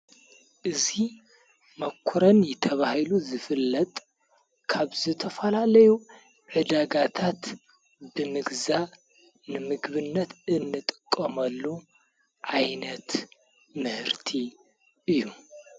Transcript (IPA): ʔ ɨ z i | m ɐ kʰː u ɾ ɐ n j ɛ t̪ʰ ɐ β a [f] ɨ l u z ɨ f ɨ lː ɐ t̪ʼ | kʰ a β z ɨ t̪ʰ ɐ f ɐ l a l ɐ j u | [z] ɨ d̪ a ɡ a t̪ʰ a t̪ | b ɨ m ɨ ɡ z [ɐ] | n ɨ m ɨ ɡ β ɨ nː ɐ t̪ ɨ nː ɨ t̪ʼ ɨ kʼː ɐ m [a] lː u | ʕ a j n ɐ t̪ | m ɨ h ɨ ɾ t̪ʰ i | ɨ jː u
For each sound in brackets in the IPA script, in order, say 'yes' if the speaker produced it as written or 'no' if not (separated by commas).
no, no, no, no